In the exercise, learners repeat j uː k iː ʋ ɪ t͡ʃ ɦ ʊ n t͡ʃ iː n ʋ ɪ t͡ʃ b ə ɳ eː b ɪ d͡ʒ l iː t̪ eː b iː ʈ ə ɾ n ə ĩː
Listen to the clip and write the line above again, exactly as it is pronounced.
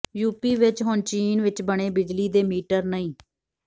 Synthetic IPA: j uː p iː ʋ ɪ t͡ʃ ɦ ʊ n t͡ʃ iː n ʋ ɪ t͡ʃ b ə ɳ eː b ɪ d͡ʒ l iː d̪ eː m iː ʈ ə ɾ n ə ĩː